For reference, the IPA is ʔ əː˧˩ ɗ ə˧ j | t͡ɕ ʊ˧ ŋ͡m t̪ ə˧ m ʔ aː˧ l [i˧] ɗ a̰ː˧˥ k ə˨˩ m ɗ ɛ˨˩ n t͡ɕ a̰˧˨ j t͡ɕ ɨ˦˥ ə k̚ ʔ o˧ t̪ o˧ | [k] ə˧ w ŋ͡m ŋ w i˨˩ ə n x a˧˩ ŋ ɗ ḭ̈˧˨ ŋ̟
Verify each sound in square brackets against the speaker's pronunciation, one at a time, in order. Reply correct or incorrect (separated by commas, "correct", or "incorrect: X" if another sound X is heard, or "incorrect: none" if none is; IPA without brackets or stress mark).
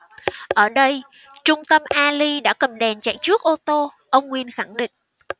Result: correct, incorrect: ʔ